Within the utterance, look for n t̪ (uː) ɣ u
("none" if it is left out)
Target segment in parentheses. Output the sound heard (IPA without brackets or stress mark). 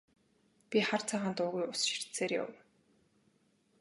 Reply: ʊː